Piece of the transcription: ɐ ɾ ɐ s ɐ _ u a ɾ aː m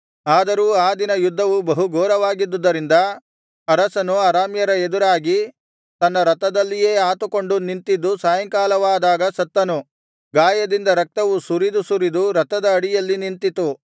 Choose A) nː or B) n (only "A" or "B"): B